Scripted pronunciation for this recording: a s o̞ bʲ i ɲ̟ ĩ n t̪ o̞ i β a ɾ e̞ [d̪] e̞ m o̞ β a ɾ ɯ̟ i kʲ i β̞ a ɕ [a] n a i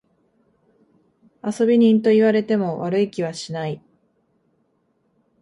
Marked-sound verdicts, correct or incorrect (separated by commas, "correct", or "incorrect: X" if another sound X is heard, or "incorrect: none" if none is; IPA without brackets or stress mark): incorrect: t̪, incorrect: i